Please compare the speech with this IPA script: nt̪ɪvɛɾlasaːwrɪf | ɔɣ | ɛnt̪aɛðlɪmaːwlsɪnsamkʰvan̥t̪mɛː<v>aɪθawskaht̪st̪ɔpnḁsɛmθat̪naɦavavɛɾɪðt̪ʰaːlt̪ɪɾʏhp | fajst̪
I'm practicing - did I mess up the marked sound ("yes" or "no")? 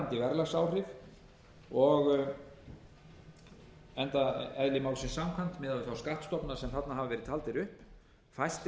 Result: yes